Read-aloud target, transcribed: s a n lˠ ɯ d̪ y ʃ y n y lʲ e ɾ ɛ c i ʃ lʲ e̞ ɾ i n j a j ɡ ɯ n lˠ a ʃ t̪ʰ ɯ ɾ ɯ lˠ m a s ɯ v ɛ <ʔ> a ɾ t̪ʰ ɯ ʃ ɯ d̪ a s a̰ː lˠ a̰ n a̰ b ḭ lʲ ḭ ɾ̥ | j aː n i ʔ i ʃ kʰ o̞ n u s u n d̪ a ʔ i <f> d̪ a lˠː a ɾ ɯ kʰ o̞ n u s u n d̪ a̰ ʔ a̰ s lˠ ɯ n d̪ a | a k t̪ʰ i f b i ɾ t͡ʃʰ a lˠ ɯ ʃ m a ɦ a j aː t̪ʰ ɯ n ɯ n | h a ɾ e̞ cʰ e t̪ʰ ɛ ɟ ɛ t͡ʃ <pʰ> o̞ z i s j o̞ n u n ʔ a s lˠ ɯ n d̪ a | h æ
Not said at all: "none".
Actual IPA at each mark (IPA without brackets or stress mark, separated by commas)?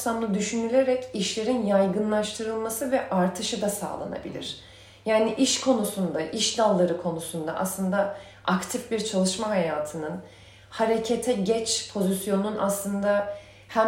ʔ, ʃ, pʰ